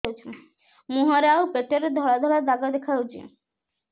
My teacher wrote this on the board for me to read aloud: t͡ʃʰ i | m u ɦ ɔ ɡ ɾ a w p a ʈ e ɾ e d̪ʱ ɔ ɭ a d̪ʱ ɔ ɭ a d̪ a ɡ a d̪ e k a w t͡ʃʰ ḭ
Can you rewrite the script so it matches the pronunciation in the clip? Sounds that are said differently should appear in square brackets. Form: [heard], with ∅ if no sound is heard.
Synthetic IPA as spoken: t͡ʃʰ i | m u ɦ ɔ [∅] ɾ a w p [e] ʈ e ɾ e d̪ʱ ɔ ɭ a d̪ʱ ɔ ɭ a d̪ a ɡ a d̪ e [kʰ] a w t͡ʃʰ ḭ